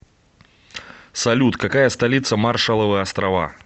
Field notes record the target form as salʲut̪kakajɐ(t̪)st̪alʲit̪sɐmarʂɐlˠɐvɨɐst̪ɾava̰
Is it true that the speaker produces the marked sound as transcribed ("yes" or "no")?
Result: no